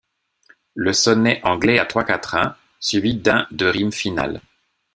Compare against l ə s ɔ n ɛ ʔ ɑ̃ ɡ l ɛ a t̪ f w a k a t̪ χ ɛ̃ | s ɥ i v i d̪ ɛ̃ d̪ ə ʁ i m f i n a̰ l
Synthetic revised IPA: l ə s ɔ n ɛ ʔ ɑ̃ ɡ l ɛ a t̪ χ w a k a t̪ χ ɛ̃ | s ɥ i v i d̪ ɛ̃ d̪ ə ʁ i m f i n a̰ l